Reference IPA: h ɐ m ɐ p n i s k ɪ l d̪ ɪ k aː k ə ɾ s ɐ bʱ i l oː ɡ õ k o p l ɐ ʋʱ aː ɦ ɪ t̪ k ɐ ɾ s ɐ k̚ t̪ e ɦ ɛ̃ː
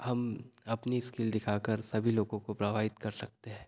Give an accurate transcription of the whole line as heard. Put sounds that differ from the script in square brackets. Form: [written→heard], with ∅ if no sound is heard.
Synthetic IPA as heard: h ɐ m ɐ p n i s k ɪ l d̪ ɪ [k→kʰ] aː k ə ɾ s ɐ bʱ i l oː ɡ õ k o p [l→ɾ] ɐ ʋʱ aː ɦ ɪ t̪ k ɐ ɾ s ɐ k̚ t̪ e ɦ ɛ̃ː